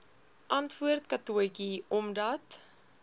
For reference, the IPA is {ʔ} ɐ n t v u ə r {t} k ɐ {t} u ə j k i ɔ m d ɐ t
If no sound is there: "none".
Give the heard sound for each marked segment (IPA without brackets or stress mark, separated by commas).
ʔ, t, t